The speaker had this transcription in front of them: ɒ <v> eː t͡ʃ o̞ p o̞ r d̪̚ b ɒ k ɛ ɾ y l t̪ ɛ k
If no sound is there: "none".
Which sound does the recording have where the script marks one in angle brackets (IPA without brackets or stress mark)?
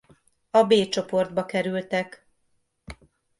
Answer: b